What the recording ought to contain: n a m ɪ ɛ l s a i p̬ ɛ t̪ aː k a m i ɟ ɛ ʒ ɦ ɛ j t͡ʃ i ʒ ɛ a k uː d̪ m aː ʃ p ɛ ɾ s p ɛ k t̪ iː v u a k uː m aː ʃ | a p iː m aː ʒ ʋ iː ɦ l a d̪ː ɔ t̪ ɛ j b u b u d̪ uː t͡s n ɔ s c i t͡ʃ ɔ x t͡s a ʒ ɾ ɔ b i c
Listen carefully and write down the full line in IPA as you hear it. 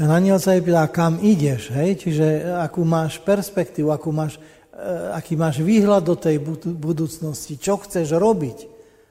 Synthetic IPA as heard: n a ɲ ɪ ɛ l s a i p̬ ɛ t̪ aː k a m i ɟ ɛ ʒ ɦ ɛ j t͡ʃ i ʒ ɛ a k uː m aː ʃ p ɛ ɾ s p ɛ k t̪ iː ʋ u a k uː m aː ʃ | a k iː m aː ʒ ʋ iː ɦ l a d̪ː ɔ t̪ ɛ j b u b u d̪ uː t͡s n ɔ s c i t͡ʃ ɔ x t͡s ɛ ʒ ɾ ɔ b i c